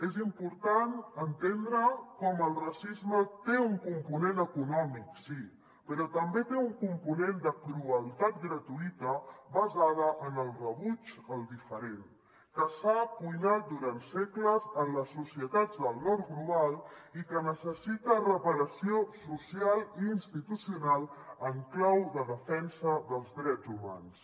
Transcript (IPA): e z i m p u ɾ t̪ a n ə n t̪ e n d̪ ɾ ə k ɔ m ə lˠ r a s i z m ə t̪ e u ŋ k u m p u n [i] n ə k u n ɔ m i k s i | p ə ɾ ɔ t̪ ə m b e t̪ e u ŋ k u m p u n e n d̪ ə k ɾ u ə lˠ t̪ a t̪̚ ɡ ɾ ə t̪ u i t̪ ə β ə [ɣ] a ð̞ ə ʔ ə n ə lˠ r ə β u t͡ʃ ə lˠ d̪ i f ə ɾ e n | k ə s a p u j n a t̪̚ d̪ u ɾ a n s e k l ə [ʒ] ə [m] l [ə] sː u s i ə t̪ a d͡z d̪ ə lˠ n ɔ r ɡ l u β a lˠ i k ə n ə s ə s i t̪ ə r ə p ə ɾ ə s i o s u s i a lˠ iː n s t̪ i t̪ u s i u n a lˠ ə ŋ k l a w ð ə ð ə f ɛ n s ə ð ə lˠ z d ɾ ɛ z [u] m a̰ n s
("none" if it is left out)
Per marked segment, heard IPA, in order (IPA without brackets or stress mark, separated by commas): e, z, z, n, ə, u